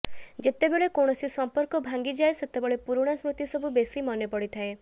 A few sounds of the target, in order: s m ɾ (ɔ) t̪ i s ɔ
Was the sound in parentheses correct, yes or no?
no